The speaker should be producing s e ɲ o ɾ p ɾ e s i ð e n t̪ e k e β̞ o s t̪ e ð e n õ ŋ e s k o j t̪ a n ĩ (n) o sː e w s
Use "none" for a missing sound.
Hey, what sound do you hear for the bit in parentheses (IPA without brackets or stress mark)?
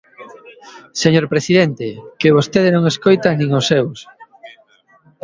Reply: ŋ